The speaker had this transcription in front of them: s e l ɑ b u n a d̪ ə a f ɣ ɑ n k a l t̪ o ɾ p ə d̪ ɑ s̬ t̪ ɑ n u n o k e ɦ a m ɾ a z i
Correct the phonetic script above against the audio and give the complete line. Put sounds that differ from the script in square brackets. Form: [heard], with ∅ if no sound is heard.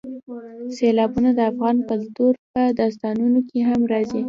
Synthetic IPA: s e l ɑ b u n a d̪ ə a f ɣ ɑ n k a l t̪ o ɾ p ə d̪ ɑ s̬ t̪ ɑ n u n o k e ɦ a m ɾ [ɑ] z i